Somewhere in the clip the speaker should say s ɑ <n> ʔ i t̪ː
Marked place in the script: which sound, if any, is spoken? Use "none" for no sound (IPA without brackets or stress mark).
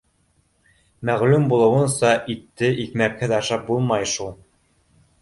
none